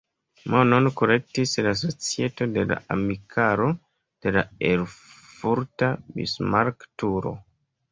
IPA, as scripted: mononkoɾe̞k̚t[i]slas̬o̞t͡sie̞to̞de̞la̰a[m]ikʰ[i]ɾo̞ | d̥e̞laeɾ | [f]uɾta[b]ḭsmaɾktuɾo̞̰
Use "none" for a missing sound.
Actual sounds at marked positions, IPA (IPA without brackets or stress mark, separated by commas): i, m, a, f, b